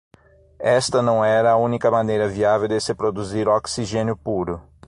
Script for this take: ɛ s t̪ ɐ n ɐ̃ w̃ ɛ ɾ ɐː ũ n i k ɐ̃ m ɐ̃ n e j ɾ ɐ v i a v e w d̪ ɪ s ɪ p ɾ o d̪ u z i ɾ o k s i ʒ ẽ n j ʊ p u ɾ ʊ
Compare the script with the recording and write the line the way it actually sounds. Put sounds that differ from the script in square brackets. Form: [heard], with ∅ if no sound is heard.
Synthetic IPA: ɛ s t̪ ɐ n ɐ̃ w̃ ɛ ɾ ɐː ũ n i k [ɐ] m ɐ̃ n e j ɾ ɐ v i a v e w d̪ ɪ s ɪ p ɾ o d̪ u z i ɾ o k s i ʒ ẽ n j ʊ p u ɾ ʊ